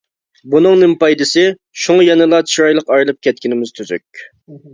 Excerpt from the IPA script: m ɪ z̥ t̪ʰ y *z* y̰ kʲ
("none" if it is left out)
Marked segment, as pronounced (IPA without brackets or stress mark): z